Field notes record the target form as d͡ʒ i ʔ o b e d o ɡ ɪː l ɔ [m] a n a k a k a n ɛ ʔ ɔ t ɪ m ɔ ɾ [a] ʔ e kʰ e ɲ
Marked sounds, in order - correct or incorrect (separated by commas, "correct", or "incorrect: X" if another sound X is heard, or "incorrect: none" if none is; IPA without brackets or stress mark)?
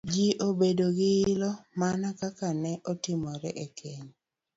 correct, incorrect: ɛ